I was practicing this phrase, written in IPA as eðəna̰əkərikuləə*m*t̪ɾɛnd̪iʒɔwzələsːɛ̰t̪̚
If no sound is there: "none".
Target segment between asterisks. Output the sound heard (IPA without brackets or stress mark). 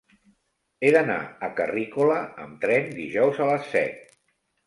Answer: m